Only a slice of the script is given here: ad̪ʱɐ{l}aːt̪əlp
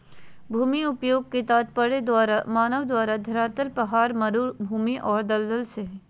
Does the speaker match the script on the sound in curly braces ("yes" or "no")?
no